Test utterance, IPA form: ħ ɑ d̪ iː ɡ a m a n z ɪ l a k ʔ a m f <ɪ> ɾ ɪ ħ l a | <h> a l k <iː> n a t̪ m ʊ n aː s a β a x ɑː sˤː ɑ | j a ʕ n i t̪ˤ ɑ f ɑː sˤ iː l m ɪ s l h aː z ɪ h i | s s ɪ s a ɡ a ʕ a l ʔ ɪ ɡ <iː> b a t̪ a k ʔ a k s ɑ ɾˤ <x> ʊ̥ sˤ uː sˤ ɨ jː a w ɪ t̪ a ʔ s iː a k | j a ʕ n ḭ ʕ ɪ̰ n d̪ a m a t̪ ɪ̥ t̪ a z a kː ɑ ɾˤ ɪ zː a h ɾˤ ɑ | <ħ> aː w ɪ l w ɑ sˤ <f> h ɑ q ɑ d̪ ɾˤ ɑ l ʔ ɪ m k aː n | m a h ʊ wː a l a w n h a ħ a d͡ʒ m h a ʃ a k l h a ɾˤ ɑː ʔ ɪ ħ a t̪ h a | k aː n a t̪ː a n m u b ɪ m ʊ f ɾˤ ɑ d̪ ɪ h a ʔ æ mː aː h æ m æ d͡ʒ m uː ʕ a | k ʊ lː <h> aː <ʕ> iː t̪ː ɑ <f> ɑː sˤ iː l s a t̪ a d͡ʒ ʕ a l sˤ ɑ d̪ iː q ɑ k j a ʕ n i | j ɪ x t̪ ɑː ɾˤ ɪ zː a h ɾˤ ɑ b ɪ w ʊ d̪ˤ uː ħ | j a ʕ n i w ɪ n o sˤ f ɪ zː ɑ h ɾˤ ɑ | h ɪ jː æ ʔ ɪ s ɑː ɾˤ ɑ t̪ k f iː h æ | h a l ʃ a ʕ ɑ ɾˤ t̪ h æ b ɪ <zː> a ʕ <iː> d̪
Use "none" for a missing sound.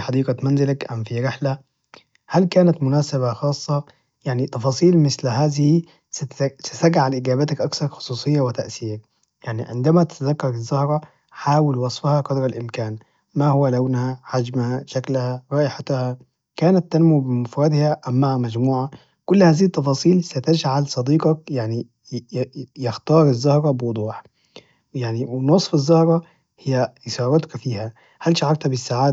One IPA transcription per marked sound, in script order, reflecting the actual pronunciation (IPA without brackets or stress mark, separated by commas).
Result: i, h, aː, aː, x, ħ, f, h, z, f, sː, aː